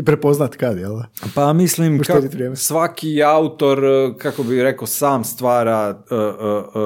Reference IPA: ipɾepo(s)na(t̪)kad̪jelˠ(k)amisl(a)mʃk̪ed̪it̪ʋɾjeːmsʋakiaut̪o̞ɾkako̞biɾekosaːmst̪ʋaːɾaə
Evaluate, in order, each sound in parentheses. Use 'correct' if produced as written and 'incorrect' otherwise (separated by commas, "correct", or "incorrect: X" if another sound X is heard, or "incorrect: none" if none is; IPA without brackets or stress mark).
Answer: incorrect: z, correct, incorrect: p, incorrect: i